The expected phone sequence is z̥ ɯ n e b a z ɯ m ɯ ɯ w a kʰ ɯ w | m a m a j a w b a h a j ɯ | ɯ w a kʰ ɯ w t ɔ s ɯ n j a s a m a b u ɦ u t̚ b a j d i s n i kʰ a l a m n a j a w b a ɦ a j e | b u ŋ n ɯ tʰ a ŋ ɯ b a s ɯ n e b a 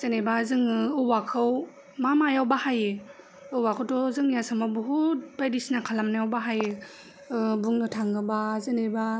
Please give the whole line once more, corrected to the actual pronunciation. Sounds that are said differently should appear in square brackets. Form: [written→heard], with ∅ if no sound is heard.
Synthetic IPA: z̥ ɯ n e b a z ɯ [m→ŋ] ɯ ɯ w a kʰ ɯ w | m a m a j a w b a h a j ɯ | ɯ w a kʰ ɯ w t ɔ [s→z] ɯ [n→ŋ] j a s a m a b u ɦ u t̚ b a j d i s n [i→a] kʰ a l a m n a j a w b a ɦ a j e | b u ŋ n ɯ tʰ a ŋ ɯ b a [s→z] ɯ n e b a